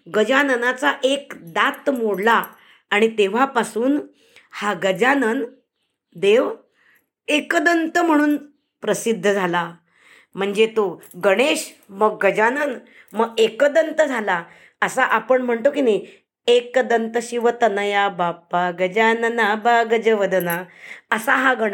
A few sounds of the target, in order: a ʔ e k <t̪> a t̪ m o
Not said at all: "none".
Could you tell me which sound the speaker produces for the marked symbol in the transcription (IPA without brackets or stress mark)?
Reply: d̪